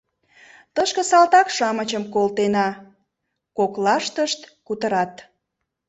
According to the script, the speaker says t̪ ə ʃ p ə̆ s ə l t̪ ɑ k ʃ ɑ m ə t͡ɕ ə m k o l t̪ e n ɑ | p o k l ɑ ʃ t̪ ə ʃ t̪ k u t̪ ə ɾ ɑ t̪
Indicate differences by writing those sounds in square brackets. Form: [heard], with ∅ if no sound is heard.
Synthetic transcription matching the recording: t̪ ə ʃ [k] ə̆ s [ɑ] l t̪ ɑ k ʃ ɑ m ə t͡ɕ ə m k o l t̪ e n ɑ | [k] o k l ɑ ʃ t̪ ə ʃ t̪ k u t̪ ə ɾ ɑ t̪

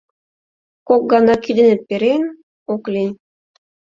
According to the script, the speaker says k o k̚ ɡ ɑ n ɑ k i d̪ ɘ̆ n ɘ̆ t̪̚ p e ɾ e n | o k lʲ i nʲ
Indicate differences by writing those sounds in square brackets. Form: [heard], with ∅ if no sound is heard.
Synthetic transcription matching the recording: k o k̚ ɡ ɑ n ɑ k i d̪ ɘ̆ n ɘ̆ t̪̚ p e ɾ e n | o k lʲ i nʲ

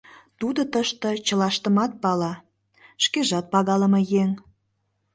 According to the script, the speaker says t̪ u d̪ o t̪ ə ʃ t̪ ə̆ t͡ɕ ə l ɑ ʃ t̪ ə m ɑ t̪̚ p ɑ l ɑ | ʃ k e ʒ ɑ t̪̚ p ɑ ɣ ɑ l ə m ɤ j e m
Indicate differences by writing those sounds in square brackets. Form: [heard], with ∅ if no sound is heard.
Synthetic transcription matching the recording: t̪ u d̪ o t̪ ə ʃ t̪ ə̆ t͡ɕ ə l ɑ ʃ t̪ ə m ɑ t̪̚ p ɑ l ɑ | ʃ k e ʒ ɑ t̪̚ p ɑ ɣ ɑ l ə m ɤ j e [ŋ]

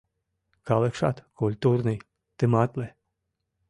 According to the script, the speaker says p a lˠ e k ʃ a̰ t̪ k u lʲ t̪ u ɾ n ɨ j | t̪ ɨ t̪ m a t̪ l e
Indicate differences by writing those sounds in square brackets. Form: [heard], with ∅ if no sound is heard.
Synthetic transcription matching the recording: [k] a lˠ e k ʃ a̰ t̪ k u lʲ t̪ u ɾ n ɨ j | t̪ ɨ [∅] m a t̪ l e

